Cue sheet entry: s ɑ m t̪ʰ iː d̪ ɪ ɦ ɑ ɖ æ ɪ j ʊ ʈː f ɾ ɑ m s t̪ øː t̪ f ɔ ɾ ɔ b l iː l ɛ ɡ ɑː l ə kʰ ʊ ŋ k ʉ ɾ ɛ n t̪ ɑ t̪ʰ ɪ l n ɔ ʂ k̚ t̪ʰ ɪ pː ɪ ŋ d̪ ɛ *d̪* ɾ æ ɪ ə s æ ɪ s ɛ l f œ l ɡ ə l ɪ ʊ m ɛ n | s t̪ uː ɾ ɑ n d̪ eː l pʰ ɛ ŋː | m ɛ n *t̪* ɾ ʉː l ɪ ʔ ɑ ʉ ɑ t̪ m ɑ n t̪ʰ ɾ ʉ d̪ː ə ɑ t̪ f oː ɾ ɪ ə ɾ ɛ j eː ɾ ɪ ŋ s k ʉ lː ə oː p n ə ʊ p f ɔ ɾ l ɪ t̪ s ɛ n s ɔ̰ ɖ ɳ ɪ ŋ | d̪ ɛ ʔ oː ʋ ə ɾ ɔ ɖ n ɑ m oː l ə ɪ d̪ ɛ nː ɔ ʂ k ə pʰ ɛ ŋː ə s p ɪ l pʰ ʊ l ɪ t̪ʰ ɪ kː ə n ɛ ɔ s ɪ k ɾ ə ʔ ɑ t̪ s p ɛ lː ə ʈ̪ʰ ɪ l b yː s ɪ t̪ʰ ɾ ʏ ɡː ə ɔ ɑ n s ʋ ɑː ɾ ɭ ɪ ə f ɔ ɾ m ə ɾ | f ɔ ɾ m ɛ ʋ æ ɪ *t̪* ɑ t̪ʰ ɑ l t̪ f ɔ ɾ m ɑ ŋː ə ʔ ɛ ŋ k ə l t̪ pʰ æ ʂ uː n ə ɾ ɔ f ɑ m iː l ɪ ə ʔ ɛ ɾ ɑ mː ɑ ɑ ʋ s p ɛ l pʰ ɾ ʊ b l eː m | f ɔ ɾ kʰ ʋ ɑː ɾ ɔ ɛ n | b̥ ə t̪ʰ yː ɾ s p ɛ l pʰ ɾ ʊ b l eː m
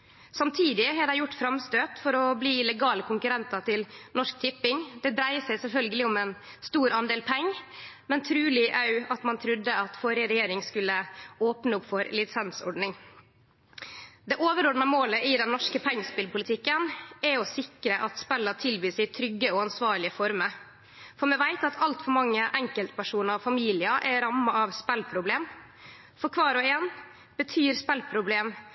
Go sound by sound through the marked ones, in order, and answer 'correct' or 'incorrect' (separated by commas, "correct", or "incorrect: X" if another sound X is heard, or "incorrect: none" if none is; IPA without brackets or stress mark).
correct, incorrect: t̪ʰ, correct